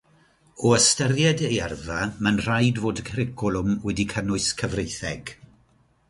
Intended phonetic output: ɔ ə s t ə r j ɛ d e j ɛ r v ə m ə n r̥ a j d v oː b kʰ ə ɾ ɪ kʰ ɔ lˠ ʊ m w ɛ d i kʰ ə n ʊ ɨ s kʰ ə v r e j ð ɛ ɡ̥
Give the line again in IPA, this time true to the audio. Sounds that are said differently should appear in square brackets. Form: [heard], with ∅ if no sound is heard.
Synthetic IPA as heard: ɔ ə s t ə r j ɛ d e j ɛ r v [a] m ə n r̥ a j d v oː [d] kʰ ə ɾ ɪ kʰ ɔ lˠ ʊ m w ɛ d i kʰ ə n ʊ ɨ s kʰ ə v r e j [θ] ɛ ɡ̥